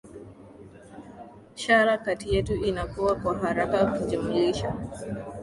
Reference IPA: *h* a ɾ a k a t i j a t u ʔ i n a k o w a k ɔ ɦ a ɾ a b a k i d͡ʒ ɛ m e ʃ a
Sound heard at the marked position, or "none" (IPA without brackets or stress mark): ʃ